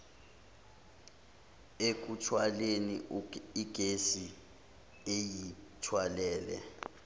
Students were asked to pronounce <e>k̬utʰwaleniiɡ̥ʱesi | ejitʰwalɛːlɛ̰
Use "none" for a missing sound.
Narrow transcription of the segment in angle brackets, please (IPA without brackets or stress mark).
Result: e